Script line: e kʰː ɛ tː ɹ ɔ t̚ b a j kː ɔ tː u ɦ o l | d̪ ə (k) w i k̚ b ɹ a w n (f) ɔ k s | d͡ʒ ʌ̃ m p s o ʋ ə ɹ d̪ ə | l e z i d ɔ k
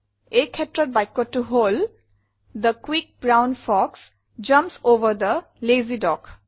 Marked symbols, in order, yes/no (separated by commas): yes, yes